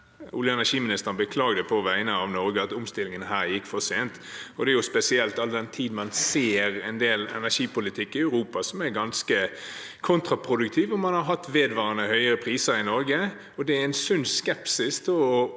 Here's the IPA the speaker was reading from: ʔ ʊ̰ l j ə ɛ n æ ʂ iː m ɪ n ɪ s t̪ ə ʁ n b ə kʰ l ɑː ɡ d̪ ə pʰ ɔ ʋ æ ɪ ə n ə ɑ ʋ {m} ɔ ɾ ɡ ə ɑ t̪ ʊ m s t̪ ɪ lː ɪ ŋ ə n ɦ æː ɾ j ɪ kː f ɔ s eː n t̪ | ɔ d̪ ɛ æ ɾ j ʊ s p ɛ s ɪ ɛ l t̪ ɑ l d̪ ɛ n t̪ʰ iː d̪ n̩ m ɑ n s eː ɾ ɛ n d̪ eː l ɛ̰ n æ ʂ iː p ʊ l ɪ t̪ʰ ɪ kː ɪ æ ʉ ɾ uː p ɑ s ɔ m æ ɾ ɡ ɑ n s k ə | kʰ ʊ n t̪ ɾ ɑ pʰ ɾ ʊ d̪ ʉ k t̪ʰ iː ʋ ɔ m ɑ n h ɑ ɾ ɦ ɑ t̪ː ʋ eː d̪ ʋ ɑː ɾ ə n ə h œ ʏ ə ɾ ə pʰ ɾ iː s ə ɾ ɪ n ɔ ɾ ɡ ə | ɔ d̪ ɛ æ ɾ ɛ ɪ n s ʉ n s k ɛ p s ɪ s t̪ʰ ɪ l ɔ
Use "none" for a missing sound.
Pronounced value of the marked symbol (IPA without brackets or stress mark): n